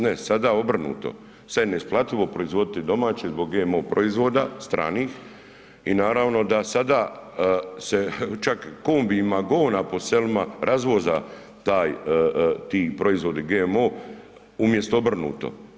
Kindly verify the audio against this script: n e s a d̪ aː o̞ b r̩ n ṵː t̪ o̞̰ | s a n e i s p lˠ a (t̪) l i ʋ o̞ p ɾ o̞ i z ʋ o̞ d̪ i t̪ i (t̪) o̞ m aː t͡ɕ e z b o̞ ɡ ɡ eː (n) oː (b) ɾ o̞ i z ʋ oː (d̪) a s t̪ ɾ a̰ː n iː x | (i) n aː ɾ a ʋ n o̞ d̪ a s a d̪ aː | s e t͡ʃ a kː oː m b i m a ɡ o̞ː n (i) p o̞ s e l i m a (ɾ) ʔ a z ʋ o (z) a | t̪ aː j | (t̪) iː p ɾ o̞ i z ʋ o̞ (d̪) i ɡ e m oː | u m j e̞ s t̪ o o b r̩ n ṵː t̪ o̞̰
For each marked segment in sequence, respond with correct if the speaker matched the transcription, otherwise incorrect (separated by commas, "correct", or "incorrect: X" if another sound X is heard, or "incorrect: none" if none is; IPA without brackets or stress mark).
correct, incorrect: d̪, incorrect: m, incorrect: p, correct, correct, incorrect: a, correct, correct, correct, correct